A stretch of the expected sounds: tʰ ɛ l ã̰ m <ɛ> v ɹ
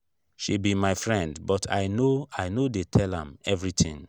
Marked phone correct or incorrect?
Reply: correct